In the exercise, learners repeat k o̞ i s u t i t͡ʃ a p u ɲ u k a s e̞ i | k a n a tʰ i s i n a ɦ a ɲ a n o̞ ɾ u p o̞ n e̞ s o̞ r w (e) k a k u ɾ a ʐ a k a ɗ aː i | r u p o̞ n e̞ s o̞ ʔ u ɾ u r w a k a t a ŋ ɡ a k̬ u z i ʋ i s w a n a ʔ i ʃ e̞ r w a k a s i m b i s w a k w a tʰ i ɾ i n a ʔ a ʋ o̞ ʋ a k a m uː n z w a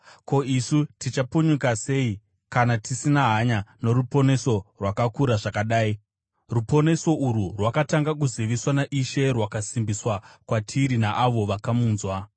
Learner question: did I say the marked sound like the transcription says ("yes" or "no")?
no